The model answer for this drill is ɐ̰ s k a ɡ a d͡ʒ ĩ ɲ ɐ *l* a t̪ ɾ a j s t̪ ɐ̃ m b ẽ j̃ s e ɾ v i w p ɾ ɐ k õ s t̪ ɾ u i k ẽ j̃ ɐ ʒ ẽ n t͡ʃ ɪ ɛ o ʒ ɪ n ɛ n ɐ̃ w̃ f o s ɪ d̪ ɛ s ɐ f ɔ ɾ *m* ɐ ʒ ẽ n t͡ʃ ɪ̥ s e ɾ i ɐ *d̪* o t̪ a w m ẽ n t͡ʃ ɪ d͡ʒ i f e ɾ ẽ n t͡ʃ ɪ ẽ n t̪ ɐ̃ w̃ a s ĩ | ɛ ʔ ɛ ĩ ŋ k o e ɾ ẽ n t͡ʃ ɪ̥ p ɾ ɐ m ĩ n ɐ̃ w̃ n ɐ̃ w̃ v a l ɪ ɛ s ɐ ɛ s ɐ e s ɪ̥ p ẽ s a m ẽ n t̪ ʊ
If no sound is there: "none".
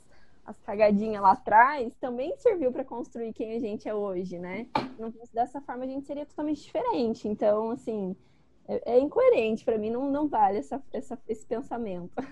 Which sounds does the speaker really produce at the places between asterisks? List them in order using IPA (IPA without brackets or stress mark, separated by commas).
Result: l, m, t̪